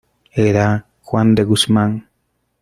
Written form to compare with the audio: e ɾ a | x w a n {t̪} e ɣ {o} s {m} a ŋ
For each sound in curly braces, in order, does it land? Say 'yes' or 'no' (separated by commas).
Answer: no, no, yes